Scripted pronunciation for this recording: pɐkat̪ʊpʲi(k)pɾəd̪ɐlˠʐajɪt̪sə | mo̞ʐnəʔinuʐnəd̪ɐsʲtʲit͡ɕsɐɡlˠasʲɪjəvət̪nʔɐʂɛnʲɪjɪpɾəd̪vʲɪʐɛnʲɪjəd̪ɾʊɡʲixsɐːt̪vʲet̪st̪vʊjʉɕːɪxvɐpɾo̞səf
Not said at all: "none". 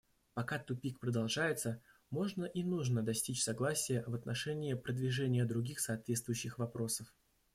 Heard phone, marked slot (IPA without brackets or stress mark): k